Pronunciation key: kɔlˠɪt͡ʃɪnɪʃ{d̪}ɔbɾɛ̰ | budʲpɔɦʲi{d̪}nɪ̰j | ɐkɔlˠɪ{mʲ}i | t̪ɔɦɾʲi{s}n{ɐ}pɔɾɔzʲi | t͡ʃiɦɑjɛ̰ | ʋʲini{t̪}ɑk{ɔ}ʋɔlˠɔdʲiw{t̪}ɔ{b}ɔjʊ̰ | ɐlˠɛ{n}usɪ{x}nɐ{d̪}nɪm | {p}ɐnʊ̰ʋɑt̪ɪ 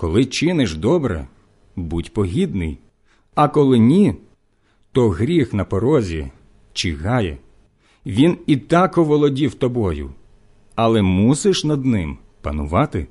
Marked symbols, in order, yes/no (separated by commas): yes, yes, no, no, yes, yes, yes, yes, yes, no, no, yes, yes